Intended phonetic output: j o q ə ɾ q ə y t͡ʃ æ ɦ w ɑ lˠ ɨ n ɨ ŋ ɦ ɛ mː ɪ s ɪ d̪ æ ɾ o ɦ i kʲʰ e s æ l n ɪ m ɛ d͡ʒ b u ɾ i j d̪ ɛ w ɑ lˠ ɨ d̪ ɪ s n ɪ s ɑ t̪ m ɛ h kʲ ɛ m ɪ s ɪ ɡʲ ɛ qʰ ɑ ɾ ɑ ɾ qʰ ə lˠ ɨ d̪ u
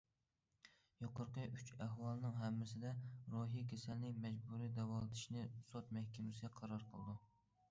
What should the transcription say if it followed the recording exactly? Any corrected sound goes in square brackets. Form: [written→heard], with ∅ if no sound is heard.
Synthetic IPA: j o q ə ɾ q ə y t͡ʃ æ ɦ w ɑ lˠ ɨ n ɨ ŋ ɦ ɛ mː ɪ s ɪ d̪ [æ→ɛ] ɾ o ɦ i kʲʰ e s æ l n ɪ m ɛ d͡ʒ b u ɾ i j d̪ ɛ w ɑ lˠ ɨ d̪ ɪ [s→ʃ] n ɪ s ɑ t̪ m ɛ h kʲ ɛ m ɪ s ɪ ɡʲ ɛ qʰ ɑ ɾ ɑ ɾ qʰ ə lˠ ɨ d̪ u